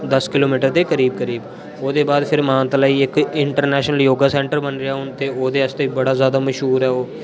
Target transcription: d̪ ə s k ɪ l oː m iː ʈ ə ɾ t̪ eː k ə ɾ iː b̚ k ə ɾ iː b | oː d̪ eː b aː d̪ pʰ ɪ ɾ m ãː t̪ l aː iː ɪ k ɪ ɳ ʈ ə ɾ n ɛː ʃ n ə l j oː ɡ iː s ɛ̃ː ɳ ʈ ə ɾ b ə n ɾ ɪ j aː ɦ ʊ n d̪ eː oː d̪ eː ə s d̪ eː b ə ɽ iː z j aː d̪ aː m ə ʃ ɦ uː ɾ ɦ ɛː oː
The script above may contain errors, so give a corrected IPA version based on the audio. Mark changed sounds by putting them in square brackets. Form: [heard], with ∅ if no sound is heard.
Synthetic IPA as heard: d̪ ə s k ɪ l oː m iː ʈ ə ɾ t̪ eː k ə ɾ iː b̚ k ə ɾ iː b | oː d̪ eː b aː d̪ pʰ ɪ ɾ m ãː t̪ l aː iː ɪ k ɪ ɳ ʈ ə ɾ n ɛː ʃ n ə l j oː ɡ [aː] s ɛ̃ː ɳ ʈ ə ɾ b ə n ɾ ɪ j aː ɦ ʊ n [t̪] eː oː d̪ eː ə s [t̪] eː b ə ɽ [aː] z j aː d̪ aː m ə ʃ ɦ uː ɾ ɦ ɛː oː

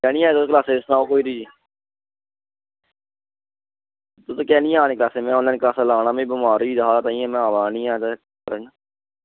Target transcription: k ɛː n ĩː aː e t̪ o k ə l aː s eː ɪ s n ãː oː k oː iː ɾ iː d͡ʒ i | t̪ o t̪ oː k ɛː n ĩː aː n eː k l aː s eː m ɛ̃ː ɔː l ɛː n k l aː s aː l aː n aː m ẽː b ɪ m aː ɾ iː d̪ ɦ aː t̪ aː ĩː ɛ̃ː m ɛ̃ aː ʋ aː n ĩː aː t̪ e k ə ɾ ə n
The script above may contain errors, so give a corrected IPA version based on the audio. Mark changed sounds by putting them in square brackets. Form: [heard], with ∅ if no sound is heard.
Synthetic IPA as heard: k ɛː n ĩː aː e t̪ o k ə l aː s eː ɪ s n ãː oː k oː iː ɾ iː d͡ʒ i | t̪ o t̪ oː k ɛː n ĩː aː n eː k l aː s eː m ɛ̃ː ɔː l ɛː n k l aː s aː l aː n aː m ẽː b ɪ m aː ɾ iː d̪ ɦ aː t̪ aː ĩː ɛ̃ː m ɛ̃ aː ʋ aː n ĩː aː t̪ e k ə ɾ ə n

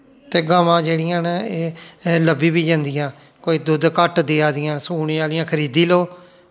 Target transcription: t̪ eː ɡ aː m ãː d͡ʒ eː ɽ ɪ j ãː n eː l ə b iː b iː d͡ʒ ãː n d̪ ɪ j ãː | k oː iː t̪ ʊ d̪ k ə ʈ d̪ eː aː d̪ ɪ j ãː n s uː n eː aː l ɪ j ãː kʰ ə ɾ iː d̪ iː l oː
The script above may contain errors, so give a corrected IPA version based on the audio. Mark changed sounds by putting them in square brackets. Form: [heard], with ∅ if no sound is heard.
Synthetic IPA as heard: t̪ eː ɡ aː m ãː d͡ʒ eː ɽ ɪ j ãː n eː l ə b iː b iː d͡ʒ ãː n d̪ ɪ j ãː | k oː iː [d̪] ʊ d̪ k ə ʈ d̪ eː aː d̪ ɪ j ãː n s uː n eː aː l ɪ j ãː kʰ ə ɾ iː d̪ iː l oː

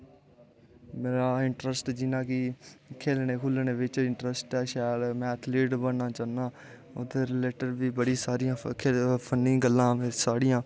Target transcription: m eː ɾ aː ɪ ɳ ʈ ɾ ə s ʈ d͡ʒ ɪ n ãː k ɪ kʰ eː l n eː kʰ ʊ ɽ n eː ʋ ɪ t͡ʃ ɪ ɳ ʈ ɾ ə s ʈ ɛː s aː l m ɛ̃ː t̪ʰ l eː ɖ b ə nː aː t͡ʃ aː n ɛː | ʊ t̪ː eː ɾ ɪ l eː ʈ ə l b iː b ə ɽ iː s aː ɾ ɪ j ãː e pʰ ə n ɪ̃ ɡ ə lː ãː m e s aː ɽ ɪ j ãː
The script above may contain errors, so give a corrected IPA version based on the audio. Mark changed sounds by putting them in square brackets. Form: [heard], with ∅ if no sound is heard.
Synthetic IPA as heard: m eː ɾ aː ɪ ɳ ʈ ɾ ə s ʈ d͡ʒ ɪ n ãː k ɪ kʰ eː l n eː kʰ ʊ [l] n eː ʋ ɪ t͡ʃ ɪ ɳ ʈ ɾ ə s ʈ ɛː [ʃ] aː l m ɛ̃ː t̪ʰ l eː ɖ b ə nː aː t͡ʃ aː n [aː] | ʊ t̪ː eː ɾ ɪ l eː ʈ ə [ɾ] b iː b ə ɽ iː s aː ɾ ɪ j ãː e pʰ ə n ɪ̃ ɡ ə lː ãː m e s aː ɽ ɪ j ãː

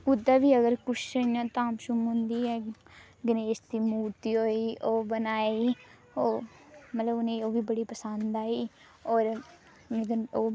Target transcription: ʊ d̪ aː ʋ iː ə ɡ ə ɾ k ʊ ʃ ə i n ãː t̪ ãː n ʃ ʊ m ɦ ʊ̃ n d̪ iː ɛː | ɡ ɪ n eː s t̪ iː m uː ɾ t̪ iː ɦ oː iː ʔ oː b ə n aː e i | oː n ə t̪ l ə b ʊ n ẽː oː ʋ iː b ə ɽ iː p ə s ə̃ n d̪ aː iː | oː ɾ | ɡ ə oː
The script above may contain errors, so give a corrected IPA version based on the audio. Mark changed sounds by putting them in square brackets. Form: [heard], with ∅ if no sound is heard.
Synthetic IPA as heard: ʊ d̪ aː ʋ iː ə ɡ ə ɾ k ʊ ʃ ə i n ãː t̪ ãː [m] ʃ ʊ m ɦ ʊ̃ n d̪ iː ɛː | ɡ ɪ n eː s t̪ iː m uː ɾ t̪ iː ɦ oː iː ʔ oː b ə n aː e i | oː [m] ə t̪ l ə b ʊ n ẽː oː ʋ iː b ə ɽ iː p ə s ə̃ n d̪ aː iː | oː ɾ | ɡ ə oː

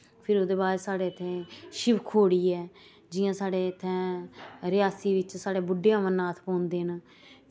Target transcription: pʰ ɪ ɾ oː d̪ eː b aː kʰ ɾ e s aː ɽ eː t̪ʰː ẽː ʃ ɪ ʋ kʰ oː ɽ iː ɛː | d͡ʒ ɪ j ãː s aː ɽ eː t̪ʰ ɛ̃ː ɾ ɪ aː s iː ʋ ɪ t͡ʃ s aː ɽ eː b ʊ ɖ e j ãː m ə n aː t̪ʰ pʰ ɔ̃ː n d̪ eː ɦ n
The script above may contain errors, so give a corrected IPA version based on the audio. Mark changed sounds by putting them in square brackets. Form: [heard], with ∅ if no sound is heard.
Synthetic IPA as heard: pʰ ɪ ɾ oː d̪ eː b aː [∅] ɾ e s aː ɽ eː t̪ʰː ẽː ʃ ɪ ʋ kʰ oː ɽ iː ɛː | d͡ʒ ɪ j ãː s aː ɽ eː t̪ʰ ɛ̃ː ɾ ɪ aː s iː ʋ ɪ t͡ʃ s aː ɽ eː b ʊ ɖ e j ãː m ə n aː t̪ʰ [p] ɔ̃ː n d̪ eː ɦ n

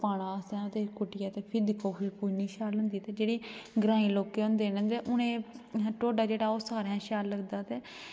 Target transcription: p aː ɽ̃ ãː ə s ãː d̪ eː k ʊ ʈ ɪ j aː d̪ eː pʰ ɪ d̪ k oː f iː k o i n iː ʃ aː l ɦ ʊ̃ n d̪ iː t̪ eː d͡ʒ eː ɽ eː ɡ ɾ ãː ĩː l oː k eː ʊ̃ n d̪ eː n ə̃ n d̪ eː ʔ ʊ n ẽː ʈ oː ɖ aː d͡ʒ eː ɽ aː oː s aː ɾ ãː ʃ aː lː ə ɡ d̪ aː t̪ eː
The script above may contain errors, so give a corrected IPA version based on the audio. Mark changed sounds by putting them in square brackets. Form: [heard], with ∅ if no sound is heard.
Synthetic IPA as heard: p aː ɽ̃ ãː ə s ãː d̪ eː k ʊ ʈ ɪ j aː [t̪] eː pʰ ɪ d̪ k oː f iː k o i n iː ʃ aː l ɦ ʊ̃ n d̪ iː t̪ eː d͡ʒ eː ɽ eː ɡ ɾ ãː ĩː l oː k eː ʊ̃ n d̪ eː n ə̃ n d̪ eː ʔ ʊ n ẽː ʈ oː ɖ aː d͡ʒ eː ɽ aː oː s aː ɾ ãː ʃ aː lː ə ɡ d̪ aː t̪ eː

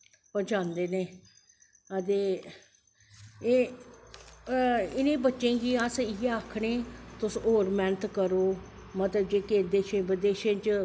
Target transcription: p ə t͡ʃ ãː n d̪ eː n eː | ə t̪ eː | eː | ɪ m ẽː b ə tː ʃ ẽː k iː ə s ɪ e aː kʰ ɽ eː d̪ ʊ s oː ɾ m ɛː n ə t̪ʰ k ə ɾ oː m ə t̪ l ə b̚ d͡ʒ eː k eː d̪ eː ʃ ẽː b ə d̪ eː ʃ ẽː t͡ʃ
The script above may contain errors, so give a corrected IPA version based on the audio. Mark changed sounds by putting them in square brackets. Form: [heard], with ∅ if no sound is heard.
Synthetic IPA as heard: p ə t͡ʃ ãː n d̪ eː n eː | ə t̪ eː | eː | ɪ [n] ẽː b ə tː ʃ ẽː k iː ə s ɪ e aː kʰ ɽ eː [t̪] ʊ s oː ɾ m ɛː n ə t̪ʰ k ə ɾ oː m ə t̪ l ə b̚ d͡ʒ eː k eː d̪ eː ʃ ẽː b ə d̪ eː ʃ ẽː t͡ʃ

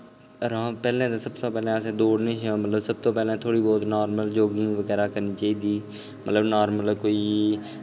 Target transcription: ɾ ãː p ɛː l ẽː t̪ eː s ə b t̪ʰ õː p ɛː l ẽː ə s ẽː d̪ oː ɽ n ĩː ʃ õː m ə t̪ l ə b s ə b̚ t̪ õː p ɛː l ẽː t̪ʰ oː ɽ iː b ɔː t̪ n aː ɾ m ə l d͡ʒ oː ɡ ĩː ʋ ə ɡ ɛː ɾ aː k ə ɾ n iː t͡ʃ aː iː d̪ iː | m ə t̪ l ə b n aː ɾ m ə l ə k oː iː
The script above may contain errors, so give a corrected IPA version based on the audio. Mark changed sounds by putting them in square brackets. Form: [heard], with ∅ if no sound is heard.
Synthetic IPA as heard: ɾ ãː p ɛː l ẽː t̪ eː s ə b [t̪] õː p ɛː l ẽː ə s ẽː d̪ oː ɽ n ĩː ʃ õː m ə t̪ l ə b s ə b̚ t̪ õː p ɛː l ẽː t̪ʰ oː ɽ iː b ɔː t̪ n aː ɾ m ə l d͡ʒ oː ɡ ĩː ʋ ə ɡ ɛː ɾ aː k ə ɾ n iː t͡ʃ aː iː d̪ iː | m ə t̪ l ə b n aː ɾ m ə l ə k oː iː

